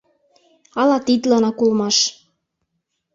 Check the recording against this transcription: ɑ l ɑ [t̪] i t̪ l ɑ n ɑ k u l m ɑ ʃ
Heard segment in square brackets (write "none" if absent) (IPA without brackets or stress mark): t̪